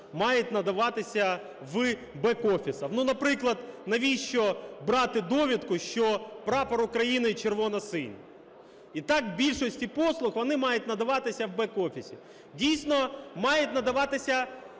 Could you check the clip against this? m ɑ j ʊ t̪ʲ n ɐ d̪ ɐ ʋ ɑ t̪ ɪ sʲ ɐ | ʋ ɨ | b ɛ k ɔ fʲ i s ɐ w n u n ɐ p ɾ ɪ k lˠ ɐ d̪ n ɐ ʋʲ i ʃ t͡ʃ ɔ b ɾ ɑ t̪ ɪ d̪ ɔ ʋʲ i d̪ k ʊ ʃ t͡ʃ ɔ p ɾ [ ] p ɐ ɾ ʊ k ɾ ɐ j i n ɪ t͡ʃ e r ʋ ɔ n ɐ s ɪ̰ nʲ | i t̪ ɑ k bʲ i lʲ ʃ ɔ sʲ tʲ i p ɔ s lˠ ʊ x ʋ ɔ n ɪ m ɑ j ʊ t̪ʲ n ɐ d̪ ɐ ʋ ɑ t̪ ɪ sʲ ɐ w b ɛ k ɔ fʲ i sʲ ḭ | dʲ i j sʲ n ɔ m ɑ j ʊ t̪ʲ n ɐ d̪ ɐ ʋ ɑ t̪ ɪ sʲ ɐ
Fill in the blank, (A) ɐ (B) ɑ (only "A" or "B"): B